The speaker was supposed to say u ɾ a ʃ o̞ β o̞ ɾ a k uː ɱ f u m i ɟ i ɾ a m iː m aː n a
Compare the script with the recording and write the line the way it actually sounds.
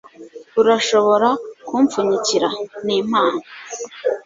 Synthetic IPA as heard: u ɾ a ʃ o̞ β o̞ ɾ a k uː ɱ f u ɲ i c i ɾ a n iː m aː n a

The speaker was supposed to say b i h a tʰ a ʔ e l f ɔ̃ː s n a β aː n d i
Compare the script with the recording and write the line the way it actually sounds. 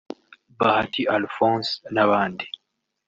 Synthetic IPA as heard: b a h a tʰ i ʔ a l f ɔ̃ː s n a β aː n d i

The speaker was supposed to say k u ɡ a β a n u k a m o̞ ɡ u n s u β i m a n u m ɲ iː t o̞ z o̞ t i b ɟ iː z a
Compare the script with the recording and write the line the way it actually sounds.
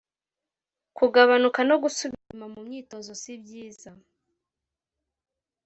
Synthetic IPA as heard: k u ɡ a β a n u k a n o̞ ɡ u s u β i m a m u m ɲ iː t o̞ z o̞ s i b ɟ iː z a

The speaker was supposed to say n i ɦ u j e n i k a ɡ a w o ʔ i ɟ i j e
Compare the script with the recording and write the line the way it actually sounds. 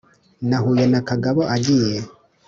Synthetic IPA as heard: n a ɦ u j e n a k a ɡ a β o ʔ a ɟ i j e

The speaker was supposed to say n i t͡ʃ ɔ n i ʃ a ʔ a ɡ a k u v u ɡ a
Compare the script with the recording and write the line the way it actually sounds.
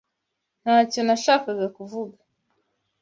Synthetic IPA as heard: n a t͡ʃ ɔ n a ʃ a k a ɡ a k u v u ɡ a

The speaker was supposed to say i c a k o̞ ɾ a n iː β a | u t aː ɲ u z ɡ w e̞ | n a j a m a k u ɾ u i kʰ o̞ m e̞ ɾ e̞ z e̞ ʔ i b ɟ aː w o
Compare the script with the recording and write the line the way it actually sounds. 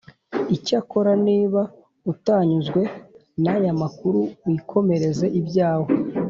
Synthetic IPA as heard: i c a k o̞ ɾ a n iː β a | u t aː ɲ u z ɡ w e̞ | n a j a m a k u ɾ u i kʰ o̞ m e̞ ɾ e̞ z e̞ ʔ i b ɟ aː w o

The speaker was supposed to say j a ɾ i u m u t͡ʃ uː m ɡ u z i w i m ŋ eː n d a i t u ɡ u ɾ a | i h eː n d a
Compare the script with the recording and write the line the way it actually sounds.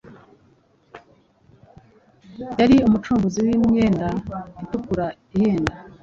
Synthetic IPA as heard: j a ɾ i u m u t͡ʃ uː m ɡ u z i w i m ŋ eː n d a i t u k u ɾ a | i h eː n d a

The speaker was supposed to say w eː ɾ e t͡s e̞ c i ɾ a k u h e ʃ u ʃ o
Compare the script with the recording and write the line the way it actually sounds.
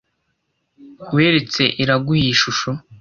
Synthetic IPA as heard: w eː ɾ e t͡s e̞ ʔ i ɾ a ɡ u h i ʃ u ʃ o

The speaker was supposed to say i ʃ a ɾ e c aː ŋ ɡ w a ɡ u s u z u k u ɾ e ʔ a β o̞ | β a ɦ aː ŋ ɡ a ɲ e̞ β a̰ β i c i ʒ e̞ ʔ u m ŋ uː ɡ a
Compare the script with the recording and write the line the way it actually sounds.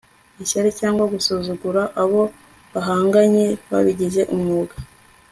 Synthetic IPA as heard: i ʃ a ɾ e c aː ŋ ɡ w a ɡ u s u z u ɡ u ɾ a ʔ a β o̞ | β a ɦ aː ŋ ɡ a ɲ e̞ β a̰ β i ɟ i ʒ e̞ ʔ u m ŋ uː ɡ a

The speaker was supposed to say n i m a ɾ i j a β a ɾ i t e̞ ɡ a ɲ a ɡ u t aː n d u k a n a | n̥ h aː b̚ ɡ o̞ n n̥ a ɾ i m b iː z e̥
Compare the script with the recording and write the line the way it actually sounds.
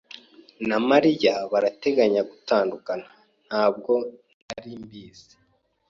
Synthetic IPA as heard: n a m a ɾ i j a β a ɾ a t e̞ ɡ a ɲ a ɡ u t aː n d u k a n a | n̥ h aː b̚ ɡ o̞ n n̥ a ɾ i m b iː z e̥

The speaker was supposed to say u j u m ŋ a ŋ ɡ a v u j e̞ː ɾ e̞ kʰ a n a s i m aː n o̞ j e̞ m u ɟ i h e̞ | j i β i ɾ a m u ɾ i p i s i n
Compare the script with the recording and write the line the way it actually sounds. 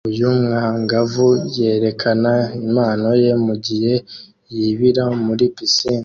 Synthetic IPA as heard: u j u m ŋ a ŋ ɡ a v u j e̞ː ɾ e̞ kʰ a n a i m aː n o̞ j e̞ m u ɟ i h e̞ | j i β i ɾ a m u ɾ i p i s i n

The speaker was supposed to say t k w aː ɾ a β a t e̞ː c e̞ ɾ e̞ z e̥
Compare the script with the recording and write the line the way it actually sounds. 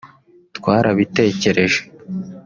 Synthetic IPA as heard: t k w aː ɾ a β i t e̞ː c e̞ ɾ e̞ ʒ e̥

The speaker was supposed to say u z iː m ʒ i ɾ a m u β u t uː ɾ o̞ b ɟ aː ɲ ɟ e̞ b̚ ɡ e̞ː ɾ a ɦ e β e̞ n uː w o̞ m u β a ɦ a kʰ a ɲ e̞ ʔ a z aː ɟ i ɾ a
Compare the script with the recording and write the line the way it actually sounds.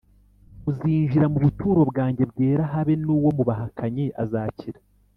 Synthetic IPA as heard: u z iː ɲ ʒ i ɾ a m u β u t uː ɾ o̞ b ɡ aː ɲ ɟ e̞ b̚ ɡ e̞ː ɾ a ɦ a β e̞ n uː w o̞ m u β a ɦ a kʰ a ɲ e̞ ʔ a z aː c i ɾ a

